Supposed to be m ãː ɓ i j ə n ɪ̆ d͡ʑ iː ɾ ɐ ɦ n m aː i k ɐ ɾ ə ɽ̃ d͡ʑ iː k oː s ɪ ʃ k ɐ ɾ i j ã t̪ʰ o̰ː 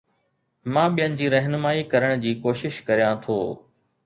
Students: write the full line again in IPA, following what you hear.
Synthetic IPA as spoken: m ãː ɓ i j ə n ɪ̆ d͡ʑ iː ɾ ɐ ɦ n m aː i k ɐ ɾ ə ɽ̃ d͡ʑ iː k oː ʃ ɪ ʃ k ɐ ɾ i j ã t̪ʰ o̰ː